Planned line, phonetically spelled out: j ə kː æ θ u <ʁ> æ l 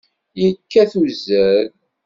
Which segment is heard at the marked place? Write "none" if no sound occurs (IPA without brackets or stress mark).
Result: z